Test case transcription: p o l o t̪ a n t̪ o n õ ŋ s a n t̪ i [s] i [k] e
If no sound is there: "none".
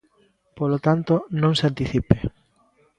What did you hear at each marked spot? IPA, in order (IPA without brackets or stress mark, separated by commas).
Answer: θ, p